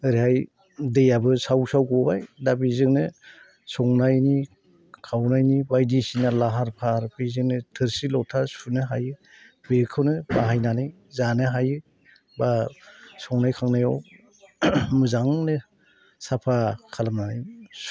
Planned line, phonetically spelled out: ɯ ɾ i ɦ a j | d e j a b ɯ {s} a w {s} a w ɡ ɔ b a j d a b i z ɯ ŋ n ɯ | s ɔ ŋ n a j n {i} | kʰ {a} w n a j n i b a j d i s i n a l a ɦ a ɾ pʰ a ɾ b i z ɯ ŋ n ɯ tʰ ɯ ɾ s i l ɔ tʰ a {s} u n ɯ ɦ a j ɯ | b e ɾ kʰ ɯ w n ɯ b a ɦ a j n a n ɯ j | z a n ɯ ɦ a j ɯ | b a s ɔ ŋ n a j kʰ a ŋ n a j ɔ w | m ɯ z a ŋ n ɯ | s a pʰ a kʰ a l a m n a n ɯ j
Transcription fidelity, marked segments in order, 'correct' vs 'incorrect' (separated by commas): correct, correct, correct, correct, correct